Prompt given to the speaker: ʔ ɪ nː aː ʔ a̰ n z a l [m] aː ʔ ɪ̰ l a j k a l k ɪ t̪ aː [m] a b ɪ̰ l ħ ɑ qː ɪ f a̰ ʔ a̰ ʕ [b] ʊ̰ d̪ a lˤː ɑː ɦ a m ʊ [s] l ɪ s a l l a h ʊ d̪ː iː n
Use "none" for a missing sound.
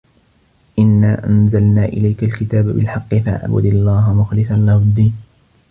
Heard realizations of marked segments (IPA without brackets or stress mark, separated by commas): n, b, b, x